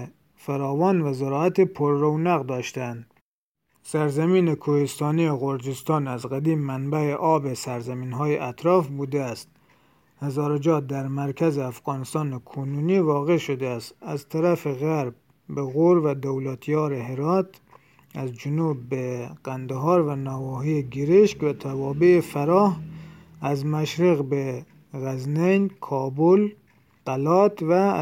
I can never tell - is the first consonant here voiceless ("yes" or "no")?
yes